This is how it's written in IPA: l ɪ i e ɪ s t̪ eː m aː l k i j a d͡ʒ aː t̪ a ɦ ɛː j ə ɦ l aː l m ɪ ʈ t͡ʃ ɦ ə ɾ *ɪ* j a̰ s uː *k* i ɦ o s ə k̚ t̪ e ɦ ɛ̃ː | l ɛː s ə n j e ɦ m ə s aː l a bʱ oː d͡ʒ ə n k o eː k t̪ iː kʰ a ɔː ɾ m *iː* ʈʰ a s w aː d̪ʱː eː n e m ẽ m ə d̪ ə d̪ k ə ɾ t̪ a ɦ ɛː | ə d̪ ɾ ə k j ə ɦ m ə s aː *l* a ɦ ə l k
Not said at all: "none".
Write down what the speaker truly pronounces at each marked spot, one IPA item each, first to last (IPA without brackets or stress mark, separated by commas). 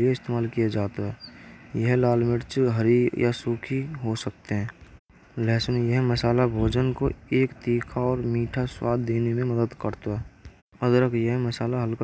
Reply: i, kʰ, iː, l